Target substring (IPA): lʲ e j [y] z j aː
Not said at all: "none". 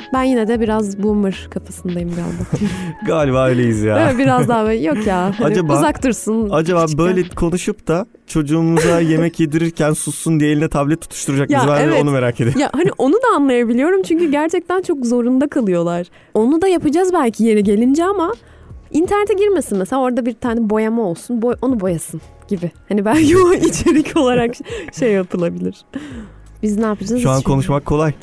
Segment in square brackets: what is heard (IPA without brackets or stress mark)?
i